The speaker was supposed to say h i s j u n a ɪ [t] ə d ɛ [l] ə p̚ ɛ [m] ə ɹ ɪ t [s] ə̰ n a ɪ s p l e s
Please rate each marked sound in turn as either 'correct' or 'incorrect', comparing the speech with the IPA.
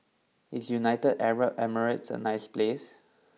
correct, incorrect, correct, correct

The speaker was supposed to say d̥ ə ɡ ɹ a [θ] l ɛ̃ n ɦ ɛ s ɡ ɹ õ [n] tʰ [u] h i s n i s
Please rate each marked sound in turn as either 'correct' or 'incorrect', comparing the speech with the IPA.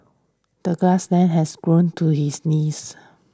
incorrect, correct, correct

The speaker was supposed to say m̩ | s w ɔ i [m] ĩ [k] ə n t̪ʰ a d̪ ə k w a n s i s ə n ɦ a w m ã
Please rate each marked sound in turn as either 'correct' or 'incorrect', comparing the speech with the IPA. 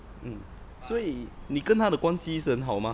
incorrect, correct

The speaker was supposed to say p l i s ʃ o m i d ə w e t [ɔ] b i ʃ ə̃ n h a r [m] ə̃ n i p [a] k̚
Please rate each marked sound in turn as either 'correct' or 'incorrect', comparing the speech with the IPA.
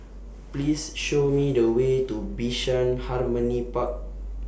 incorrect, correct, correct

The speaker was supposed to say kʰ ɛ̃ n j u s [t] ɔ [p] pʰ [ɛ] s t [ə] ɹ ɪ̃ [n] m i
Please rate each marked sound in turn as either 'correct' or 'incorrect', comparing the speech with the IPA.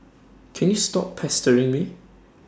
correct, correct, correct, correct, incorrect

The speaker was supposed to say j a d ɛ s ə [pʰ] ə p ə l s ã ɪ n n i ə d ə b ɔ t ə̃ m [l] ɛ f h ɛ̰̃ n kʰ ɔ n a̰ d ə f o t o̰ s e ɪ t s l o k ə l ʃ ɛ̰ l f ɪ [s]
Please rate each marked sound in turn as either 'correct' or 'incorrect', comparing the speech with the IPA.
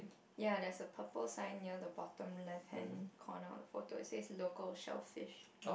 correct, correct, incorrect

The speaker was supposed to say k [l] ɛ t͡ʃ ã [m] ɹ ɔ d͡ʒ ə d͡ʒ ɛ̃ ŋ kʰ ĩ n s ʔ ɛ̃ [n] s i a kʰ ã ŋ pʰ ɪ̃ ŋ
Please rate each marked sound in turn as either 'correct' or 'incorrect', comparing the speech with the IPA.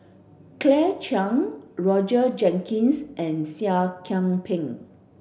correct, incorrect, correct

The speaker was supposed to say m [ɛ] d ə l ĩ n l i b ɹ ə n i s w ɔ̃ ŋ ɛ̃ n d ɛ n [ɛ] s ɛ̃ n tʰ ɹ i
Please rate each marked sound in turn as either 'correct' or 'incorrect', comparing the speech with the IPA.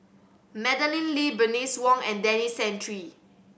correct, incorrect

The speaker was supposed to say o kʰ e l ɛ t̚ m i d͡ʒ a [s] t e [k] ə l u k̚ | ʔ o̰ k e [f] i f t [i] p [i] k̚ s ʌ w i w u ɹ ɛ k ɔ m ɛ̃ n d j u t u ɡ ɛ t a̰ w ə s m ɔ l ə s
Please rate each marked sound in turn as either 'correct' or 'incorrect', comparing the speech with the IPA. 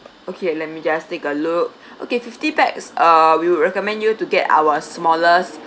correct, correct, correct, correct, incorrect

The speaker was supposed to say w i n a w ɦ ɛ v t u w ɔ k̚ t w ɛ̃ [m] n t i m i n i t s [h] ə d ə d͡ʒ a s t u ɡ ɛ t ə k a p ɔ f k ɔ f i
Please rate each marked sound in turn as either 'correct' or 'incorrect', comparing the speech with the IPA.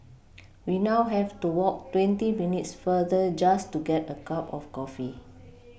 incorrect, incorrect

